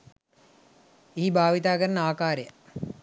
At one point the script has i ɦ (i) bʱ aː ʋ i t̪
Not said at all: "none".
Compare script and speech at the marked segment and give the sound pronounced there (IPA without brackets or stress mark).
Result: i